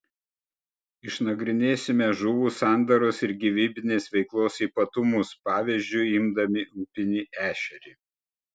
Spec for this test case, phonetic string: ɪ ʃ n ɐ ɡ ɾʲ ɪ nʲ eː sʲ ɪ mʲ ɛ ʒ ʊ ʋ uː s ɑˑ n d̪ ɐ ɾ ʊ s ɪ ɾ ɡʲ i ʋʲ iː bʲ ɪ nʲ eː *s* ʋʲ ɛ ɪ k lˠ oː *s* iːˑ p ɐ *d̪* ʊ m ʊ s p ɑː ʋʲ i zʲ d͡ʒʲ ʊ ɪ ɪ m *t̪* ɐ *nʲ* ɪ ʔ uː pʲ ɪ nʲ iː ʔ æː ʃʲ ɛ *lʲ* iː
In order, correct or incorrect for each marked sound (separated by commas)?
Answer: correct, correct, incorrect, incorrect, incorrect, incorrect